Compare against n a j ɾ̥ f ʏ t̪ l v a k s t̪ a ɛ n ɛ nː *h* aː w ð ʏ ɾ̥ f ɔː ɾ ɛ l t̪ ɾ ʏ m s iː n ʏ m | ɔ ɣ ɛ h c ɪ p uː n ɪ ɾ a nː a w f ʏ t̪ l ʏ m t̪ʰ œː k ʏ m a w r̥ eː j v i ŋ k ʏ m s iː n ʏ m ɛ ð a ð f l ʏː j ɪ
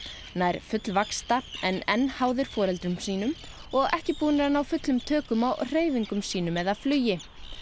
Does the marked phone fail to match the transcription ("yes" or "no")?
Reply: no